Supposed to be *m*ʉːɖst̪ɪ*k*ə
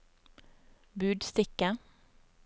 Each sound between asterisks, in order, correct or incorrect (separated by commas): incorrect, correct